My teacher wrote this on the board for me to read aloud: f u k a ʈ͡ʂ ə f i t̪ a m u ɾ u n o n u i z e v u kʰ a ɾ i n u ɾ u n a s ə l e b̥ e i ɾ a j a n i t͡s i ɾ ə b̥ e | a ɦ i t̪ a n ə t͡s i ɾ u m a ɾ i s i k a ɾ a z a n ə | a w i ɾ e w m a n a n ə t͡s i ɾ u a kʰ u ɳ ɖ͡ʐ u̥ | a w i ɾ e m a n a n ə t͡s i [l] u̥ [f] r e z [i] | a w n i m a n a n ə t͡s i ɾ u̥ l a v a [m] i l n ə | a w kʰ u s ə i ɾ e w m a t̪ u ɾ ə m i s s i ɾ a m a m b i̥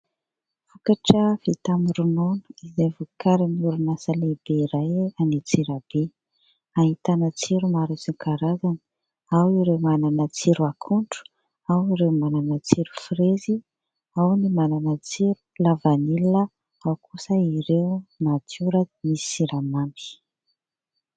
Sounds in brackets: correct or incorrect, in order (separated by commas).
incorrect, correct, correct, incorrect